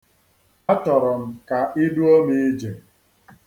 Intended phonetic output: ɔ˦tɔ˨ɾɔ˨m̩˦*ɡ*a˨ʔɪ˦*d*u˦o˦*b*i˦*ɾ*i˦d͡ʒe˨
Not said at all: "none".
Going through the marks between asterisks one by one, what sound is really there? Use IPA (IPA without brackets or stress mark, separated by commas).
k, d, m, none